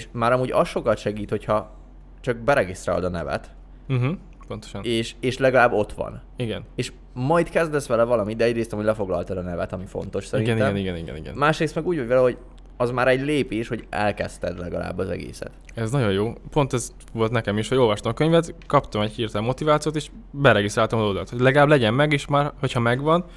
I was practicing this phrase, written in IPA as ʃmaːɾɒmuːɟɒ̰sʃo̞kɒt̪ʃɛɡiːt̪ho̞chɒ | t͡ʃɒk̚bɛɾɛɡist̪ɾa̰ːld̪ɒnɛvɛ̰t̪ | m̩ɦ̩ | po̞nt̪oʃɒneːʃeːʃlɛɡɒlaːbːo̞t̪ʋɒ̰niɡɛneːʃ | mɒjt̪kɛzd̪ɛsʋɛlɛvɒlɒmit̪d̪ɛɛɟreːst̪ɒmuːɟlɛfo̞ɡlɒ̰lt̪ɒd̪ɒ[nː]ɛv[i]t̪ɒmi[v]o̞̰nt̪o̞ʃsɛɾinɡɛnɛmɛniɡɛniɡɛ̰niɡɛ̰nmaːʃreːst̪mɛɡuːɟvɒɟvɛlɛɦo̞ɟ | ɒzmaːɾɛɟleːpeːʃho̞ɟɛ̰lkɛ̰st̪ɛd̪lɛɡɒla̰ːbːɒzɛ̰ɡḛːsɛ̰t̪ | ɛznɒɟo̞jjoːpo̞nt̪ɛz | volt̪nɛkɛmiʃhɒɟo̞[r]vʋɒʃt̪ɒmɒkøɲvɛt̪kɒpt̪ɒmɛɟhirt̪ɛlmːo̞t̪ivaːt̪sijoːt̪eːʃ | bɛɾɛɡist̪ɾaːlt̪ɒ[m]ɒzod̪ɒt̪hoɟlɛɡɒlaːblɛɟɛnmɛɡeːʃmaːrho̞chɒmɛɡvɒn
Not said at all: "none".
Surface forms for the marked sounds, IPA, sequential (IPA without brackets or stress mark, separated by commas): n, ɛ, f, l, m